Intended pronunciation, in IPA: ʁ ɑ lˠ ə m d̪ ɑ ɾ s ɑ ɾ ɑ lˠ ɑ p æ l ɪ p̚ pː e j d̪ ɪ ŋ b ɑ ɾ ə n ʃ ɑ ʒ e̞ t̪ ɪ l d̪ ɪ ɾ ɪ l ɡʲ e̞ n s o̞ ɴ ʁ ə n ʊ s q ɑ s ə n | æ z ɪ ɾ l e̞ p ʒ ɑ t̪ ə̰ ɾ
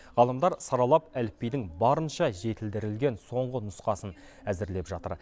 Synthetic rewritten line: ʁ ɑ lˠ ə m d̪ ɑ ɾ s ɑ ɾ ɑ lˠ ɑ p æ l ɪ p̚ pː e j d̪ ɪ ŋ b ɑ ɾ ə n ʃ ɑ ʒ e̞ t̪ ɪ l d̪ ɪ ɾ ɪ l ɡʲ e̞ n s o̞ ɴ ʁ ə n ʊ s q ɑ s ə n | æ z ɪ ɾ l e̞ p ʒ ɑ t̪ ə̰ ɾ